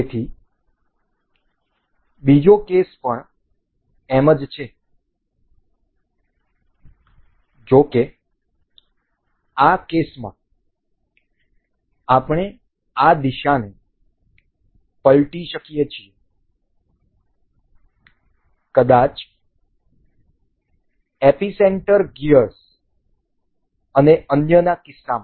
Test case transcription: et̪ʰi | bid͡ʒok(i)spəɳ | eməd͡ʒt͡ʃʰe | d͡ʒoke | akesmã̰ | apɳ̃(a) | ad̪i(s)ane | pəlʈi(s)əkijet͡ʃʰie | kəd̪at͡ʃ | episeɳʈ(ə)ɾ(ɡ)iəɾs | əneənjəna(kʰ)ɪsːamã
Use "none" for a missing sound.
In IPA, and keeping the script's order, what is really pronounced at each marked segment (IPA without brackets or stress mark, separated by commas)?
e, e, ʃ, ʃ, ə, ɡ, k